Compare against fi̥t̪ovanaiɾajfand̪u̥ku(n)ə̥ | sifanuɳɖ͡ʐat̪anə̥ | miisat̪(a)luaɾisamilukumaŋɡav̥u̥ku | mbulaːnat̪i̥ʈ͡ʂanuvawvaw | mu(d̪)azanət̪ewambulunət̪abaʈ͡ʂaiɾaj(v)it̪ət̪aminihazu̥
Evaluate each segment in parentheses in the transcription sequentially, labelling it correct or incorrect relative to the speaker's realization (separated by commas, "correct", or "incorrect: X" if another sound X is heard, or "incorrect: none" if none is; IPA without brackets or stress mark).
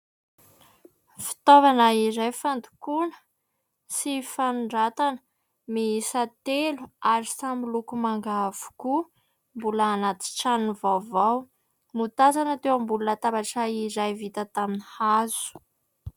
correct, incorrect: e, incorrect: t̪, correct